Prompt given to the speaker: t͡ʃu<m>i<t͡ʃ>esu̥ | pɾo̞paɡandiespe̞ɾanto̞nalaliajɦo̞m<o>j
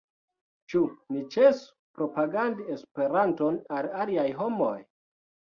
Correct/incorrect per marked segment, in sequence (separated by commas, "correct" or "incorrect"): incorrect, correct, correct